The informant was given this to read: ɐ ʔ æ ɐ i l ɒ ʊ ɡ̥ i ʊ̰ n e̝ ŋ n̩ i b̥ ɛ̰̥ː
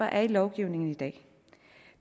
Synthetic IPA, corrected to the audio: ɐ ʔ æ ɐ i l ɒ ʊ ɡ̥ i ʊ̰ n e̝ ŋ n̩ i d̥ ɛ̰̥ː